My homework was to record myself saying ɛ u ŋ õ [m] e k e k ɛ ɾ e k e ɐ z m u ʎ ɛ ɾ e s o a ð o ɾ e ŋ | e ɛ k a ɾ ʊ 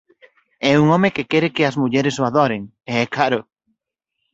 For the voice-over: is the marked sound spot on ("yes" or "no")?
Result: yes